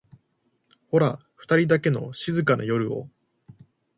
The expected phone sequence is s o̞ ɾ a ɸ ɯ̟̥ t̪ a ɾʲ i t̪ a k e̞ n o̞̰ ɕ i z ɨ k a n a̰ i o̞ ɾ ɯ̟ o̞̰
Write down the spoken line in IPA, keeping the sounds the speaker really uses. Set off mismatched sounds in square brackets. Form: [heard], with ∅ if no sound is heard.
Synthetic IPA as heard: [h] o̞ ɾ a ɸ ɯ̟̥ t̪ a ɾʲ i [d̪] a k e̞ n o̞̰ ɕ i z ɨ k a n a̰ [j] o̞ ɾ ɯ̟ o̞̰